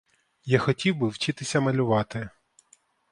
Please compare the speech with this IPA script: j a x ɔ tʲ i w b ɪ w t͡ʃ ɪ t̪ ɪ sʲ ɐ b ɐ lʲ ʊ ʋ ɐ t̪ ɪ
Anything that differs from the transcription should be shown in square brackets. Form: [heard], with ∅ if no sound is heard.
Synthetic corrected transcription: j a x ɔ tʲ i w b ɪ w t͡ʃ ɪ t̪ ɪ sʲ ɐ [m] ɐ lʲ ʊ ʋ [ɑ] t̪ ɪ